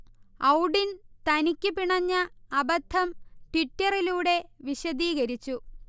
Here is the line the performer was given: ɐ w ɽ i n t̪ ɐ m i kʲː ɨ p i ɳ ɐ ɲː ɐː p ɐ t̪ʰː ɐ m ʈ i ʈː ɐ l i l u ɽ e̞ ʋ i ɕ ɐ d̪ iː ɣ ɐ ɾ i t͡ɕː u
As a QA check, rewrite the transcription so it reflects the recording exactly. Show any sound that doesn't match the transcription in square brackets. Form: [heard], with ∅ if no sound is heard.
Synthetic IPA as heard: ɐ w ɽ i n t̪ ɐ [n] i kʲː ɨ p i ɳ ɐ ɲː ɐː [b] ɐ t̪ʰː ɐ m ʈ i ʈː ɐ [r] i l [uː] ɽ e̞ ʋ i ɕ ɐ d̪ iː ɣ ɐ ɾ i t͡ɕː u